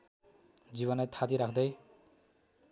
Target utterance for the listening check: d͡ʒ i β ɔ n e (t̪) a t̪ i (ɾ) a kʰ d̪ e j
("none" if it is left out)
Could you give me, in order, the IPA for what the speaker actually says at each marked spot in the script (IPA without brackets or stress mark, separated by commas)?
t̪ʰ, ɾ